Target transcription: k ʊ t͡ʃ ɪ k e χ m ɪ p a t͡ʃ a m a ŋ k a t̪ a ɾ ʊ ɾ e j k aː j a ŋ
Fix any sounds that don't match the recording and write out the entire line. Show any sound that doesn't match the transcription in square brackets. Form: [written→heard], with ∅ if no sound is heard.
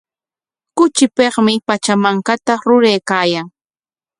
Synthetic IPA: k ʊ t͡ʃ ɪ [k→p] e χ m ɪ p a t͡ʃ a m a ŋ k a t̪ a ɾ ʊ ɾ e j k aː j a ŋ